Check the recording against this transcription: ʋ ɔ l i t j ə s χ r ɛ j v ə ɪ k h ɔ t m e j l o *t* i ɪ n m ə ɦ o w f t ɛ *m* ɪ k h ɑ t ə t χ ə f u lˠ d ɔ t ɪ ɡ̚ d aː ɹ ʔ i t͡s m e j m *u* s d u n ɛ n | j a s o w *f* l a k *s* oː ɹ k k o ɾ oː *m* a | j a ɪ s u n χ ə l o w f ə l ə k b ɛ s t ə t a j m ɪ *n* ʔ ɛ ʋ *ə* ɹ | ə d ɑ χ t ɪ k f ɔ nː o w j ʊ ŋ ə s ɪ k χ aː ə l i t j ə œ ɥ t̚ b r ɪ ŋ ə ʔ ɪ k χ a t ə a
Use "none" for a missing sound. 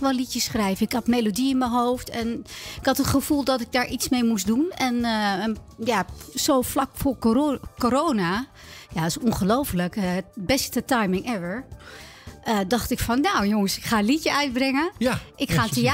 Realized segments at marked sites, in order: d, n, u, f, f, n, ŋ, ə

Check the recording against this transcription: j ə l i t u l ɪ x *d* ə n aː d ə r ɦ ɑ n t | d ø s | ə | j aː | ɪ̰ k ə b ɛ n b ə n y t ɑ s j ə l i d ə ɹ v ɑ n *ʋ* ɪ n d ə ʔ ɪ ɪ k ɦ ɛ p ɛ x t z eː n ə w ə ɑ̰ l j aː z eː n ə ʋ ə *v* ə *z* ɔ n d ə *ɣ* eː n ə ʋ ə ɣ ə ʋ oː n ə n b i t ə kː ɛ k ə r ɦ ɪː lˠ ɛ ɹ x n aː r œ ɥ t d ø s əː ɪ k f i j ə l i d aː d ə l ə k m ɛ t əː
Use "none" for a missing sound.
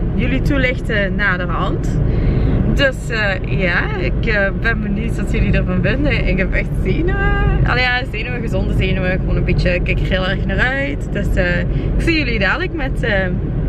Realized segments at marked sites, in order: t, v, ɣ, z, z

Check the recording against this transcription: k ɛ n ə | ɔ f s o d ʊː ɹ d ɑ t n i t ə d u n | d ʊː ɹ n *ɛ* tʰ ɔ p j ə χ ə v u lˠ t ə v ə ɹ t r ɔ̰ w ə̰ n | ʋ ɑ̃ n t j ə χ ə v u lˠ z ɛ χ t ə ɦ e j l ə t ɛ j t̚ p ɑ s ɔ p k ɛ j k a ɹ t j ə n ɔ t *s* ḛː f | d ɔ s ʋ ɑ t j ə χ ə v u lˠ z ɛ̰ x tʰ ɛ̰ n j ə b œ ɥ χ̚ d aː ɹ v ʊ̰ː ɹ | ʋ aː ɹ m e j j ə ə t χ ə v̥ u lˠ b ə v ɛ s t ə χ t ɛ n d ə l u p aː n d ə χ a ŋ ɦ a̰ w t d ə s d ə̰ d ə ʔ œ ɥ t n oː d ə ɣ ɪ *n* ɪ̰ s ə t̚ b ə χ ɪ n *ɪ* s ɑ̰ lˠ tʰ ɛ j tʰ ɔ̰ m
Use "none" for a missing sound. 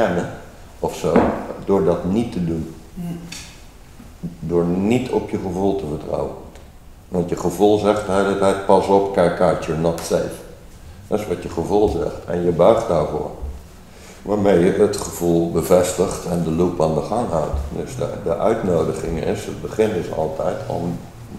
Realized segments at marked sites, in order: i, s, ŋ, ɪ

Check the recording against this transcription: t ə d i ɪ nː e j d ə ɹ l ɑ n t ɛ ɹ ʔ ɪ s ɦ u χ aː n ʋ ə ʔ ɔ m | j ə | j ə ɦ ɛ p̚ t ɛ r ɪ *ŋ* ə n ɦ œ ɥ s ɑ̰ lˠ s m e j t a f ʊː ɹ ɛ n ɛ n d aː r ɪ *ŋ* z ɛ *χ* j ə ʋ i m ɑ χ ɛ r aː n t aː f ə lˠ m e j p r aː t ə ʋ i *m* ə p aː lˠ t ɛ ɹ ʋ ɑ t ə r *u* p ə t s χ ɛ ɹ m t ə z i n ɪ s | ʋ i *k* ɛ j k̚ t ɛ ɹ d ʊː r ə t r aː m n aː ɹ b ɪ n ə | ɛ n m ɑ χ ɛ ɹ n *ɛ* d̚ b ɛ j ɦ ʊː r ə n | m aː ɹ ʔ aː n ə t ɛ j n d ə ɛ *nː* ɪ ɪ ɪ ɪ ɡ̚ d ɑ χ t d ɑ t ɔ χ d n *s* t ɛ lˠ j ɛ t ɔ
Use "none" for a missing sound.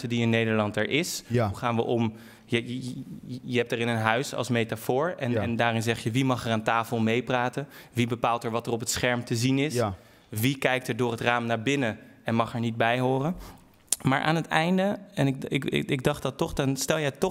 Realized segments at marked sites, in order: n, n, χ, b, ɔ, k, i, n, s

